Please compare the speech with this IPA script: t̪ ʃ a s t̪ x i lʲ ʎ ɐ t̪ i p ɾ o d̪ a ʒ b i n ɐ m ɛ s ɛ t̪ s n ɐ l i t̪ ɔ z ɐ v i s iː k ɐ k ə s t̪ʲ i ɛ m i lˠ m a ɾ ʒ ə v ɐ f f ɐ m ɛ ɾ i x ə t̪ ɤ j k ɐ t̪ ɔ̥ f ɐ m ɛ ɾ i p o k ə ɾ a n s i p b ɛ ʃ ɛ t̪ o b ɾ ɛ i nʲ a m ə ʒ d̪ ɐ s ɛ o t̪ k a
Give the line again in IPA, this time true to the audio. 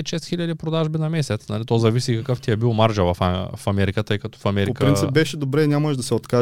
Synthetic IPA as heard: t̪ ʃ ɛ s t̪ x i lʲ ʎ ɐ d̪ i p ɾ o d̪ a ʒ b i n ɐ m ɛ s ɛ t̪ s n ɐ l i t̪ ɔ z ɐ v i s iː k ɐ k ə f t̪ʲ i ɛ b i lˠ m a ɾ ʒ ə v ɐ f f ɐ m ɛ ɾ i k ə t̪ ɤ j k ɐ t̪ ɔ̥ f ɐ m ɛ ɾ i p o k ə ɾ i n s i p b ɛ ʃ ɛ d̪ o b ɾ ɛ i nʲ a m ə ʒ d̪ ɐ s ɛ o t̪ k a